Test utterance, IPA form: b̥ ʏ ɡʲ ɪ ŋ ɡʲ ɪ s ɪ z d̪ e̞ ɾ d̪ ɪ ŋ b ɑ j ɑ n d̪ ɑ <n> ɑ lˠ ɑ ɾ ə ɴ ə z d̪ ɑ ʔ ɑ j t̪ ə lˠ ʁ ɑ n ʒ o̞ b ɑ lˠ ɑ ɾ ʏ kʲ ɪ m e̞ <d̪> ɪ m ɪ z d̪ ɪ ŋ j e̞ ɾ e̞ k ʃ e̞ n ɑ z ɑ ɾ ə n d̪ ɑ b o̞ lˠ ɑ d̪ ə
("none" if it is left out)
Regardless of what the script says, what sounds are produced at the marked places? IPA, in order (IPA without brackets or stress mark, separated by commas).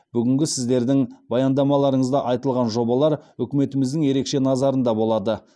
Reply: m, t̪